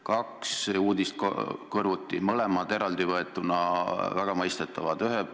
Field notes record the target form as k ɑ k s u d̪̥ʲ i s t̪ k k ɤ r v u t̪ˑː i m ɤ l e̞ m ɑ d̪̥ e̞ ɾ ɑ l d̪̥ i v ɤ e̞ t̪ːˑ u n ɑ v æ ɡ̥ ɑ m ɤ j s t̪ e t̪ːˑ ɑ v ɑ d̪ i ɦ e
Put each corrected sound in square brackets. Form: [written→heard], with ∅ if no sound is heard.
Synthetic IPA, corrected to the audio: k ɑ k s [u→uː] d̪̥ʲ i s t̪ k k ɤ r v u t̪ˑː i m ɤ l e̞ m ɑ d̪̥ e̞ ɾ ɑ l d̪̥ i v ɤ e̞ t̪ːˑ u n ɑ v æ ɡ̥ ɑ m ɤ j s t̪ e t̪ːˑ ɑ v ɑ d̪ [i→y] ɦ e